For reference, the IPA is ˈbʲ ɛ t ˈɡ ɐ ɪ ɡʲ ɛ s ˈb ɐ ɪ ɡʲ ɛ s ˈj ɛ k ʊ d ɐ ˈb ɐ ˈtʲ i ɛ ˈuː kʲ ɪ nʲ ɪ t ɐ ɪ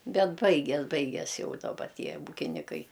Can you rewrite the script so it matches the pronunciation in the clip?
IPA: ˈbʲ ɛ t ˈb ɐ ɪ ɡʲ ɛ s ˈb ɐ ɪ ɡʲ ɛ s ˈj ɛ ʊ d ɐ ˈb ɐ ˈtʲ i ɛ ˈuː kʲ ɪ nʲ ɪ k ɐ ɪ